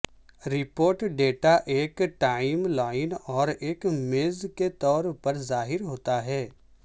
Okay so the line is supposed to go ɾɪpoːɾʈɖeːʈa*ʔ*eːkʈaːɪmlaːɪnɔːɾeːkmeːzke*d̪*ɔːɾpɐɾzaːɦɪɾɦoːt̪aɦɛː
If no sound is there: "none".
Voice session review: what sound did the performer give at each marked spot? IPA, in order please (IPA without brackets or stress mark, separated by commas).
ʔ, t̪